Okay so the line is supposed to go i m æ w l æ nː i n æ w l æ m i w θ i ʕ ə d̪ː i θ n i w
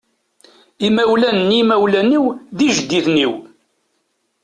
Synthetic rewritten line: i m æ w l æ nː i m æ w l æ n i w ð i ʒ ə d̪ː i θ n i w